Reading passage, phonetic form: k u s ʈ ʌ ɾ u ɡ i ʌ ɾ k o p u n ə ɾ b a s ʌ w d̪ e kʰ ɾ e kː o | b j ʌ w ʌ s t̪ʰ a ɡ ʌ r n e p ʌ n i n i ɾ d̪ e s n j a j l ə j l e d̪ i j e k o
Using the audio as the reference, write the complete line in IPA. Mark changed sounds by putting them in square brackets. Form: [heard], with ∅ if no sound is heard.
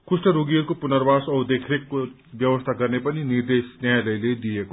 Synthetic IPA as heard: k u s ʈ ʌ ɾ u ɡ i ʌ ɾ k o p u n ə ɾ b a s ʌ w d̪ e kʰ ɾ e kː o | b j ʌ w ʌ s t̪ʰ a ɡ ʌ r n e p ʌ n i n i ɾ d̪ e s n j a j l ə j l e d̪ i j e k o